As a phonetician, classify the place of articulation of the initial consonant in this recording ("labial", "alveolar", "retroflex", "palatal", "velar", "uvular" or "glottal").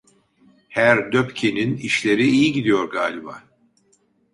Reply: glottal